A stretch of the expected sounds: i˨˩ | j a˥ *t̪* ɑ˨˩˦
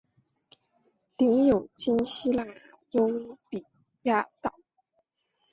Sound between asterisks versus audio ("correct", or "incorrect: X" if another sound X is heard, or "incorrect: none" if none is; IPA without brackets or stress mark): correct